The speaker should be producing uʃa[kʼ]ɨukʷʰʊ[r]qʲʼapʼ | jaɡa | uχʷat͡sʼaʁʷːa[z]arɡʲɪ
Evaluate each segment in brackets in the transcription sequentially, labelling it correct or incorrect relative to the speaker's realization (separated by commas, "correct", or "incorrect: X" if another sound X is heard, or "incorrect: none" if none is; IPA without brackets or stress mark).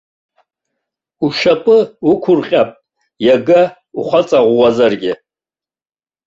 incorrect: pʼ, correct, correct